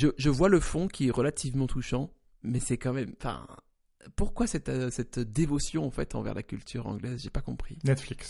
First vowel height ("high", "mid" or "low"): mid